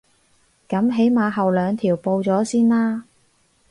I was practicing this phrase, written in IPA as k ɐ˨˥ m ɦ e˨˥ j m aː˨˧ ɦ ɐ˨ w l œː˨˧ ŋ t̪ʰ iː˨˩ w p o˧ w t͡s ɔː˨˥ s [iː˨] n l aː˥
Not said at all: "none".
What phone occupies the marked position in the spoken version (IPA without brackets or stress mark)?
iː˥